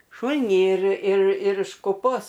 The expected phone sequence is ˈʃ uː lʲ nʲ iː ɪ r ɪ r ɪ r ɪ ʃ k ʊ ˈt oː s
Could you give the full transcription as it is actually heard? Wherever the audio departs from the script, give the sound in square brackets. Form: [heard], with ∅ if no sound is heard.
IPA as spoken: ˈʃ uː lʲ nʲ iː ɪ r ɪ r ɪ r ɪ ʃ k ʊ [ˈp] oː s